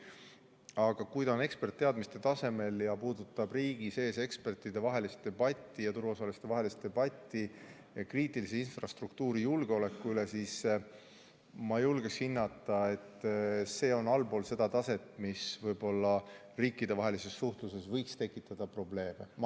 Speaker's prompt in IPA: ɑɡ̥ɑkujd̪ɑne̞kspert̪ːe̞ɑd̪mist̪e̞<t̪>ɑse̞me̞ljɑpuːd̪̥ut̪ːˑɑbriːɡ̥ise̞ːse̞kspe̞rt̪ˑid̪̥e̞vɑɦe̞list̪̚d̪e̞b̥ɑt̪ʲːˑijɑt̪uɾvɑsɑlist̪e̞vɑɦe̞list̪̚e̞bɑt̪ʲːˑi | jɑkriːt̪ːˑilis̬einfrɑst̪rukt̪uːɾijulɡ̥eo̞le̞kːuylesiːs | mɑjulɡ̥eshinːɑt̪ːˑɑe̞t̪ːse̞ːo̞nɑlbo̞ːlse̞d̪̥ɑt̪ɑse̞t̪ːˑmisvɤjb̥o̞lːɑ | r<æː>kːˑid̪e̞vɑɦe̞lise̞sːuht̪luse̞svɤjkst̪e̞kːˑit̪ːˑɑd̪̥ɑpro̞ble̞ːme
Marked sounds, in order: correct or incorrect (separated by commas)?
correct, incorrect